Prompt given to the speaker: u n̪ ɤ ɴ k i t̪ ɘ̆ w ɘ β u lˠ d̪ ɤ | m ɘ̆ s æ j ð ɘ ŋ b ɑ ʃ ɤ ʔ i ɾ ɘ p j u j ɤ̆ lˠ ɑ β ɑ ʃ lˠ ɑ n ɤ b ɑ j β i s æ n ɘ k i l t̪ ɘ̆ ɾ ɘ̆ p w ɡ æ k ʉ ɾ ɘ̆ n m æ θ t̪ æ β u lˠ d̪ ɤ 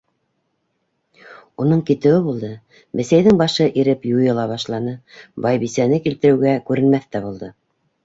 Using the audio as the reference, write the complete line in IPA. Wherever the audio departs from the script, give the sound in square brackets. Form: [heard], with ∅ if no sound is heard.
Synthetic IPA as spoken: u n̪ ɤ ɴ k i t̪ ɘ̆ w ɘ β u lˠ d̪ ɤ | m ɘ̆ s æ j ð ɘ ŋ b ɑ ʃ ɤ ʔ i ɾ ɘ p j u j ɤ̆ lˠ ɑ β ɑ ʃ lˠ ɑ n ɤ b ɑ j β i s æ n ɘ k i l t̪ ɘ̆ ɾ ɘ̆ [∅] w ɡ æ k ʉ ɾ ɘ̆ n m æ θ t̪ æ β u lˠ d̪ ɤ